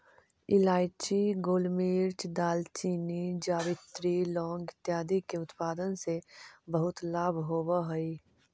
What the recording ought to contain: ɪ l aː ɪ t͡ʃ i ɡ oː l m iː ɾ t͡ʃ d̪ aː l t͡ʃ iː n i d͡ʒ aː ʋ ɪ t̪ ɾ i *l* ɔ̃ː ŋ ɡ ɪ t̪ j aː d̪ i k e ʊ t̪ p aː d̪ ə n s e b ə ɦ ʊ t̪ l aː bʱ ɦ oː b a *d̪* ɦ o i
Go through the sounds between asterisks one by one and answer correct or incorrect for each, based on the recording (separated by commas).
correct, incorrect